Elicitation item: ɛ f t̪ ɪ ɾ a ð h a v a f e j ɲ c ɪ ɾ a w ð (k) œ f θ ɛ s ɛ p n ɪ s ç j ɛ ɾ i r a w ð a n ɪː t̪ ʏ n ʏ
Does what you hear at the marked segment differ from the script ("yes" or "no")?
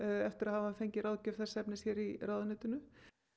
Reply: yes